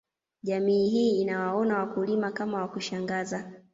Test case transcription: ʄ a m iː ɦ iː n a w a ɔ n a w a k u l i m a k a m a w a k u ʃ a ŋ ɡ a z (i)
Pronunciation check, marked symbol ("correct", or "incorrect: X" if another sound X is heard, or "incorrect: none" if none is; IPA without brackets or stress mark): incorrect: a